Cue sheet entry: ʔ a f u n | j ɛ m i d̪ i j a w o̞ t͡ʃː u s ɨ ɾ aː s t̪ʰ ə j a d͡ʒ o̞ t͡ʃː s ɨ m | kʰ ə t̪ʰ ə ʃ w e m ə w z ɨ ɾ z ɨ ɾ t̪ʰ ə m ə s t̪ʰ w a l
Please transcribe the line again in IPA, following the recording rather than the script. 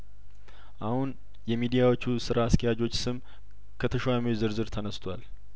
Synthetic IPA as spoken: ʔ a h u n | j ɛ m i d̪ i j a w o̞ t͡ʃː u s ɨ ɾ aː s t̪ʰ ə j a d͡ʒ o̞ t͡ʃː s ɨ m | kʰ ə t̪ʰ ə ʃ w a m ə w z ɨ ɾ z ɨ ɾ t̪ʰ ə n ə s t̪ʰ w a l

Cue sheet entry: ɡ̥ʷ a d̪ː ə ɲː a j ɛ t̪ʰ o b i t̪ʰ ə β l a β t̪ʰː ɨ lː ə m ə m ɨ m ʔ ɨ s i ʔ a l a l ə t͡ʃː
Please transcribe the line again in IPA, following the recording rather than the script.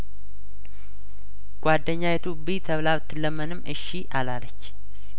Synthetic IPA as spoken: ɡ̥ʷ a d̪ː ə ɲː a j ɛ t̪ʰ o b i t̪ʰ ə β l a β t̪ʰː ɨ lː ə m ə n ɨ m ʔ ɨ ʃ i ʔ a l a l ə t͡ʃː

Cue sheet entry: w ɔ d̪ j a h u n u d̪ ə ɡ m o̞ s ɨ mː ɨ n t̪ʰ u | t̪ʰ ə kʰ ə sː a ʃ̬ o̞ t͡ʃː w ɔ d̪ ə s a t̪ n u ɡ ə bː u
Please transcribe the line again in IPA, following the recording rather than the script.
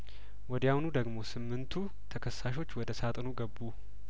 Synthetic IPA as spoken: w ɔ d̪ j a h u n u d̪ ə ɡ m o̞ s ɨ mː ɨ n t̪ʰ u | t̪ʰ ə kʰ ə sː a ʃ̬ o̞ t͡ʃː w ɔ d̪ ə s a t̪ʼ n u ɡ ə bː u

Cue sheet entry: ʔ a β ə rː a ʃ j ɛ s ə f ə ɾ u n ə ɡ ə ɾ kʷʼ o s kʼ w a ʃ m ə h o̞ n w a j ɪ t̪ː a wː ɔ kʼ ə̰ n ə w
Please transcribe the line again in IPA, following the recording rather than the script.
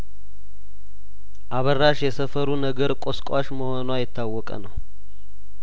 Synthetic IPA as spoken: ʔ a β ə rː a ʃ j ɛ s ə f ə ɾ u n ə ɡ ə ɾ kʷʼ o s kʼ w a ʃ m ə h o̞ n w a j ɪ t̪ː a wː ɔ kʼ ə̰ n ə w

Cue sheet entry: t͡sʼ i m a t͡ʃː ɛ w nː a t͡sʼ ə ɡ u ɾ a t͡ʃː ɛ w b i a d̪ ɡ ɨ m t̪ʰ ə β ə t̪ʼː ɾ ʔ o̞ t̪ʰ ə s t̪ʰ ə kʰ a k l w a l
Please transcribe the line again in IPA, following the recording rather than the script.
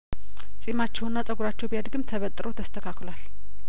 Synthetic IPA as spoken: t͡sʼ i m a t͡ʃː ɛ w nː a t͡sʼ ə ɡ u ɾ a t͡ʃː ɛ w b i a d̪ ɡ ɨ m t̪ʰ ə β ə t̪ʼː ɾ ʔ o̞ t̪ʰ ə s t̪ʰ ə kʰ a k l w a l

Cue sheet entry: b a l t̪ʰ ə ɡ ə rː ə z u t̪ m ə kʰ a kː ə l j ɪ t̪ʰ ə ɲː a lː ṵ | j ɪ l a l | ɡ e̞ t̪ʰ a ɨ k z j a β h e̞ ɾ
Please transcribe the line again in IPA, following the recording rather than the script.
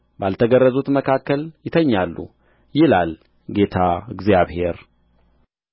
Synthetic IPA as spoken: b a l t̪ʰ ə ɡ ə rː ə z u t̪ m ə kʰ a kː ə l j ɪ t̪ʰ ə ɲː a lː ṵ | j ɪ l a l | ɡ e̞ t̪ʰ a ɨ ɡ z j a β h e̞ ɾ

